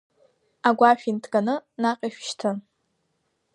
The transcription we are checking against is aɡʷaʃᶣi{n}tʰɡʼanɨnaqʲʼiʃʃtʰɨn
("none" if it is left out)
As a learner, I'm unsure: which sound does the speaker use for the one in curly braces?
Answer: n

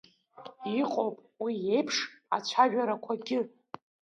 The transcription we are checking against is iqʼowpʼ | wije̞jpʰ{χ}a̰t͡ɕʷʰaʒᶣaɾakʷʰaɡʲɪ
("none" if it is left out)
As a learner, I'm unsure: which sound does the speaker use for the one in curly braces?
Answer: ʂ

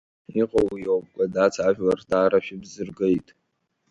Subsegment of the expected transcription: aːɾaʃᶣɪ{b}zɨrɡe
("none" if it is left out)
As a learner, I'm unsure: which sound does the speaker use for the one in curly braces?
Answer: b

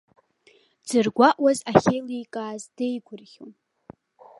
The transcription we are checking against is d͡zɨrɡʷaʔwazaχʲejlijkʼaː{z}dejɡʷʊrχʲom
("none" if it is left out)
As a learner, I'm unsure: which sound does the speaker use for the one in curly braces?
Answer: z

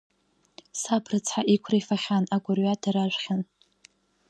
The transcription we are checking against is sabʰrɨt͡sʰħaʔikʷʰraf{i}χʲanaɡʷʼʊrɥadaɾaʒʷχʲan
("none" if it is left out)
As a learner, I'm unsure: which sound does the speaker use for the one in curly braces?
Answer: a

